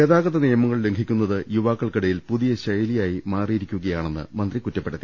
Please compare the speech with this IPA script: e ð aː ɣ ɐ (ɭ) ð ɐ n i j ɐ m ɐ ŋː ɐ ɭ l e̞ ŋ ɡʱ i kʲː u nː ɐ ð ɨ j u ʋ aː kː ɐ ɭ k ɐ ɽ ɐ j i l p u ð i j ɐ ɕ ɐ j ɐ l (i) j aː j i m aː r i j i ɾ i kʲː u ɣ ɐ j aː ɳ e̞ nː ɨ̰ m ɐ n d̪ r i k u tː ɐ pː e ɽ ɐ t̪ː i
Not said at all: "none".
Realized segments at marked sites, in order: none, i

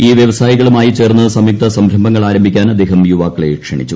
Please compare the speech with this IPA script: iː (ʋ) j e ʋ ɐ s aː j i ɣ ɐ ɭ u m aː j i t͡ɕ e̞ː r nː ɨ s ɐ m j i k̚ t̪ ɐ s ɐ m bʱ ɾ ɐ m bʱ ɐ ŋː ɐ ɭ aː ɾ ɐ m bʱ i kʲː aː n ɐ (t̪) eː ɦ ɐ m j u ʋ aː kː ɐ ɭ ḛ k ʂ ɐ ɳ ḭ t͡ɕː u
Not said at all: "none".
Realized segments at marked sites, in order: ʋ, d̪

